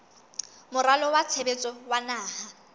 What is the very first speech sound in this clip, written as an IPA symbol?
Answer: m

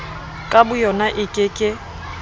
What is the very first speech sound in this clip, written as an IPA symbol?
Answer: kʼ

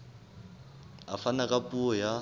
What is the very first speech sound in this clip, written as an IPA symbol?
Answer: a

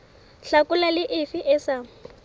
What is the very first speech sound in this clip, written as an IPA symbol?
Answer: ɬ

